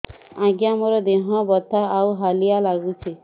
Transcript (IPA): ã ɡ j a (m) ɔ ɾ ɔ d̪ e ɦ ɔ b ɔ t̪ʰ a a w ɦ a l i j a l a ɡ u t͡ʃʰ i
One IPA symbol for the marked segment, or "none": m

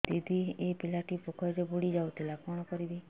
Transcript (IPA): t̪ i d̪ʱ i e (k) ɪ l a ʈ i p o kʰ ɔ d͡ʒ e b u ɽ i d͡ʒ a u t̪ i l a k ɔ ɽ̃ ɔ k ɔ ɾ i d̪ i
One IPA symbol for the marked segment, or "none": p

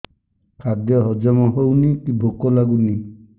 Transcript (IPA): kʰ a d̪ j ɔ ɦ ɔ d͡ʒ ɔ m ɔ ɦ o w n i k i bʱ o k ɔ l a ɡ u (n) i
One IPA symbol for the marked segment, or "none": n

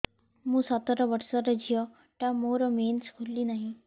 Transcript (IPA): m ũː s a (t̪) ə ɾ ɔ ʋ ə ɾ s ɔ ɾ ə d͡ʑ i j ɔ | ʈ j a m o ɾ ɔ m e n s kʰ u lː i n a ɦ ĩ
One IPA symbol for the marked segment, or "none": t̪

